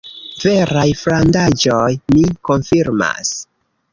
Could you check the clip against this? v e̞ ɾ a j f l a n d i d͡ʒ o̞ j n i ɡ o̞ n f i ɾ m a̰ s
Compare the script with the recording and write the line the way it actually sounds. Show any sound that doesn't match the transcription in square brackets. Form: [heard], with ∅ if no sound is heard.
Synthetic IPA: v e̞ ɾ a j f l a n d [a] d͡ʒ o̞ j [m] i [k] o̞ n f i ɾ m a̰ s